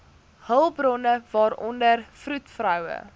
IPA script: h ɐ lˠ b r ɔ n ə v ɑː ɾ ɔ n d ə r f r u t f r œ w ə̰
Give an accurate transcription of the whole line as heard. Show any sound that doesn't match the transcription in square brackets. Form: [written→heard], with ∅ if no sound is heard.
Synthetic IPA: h [ɐ→ə] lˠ b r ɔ n ə v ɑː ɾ ɔ n d ə r f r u t f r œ w ə̰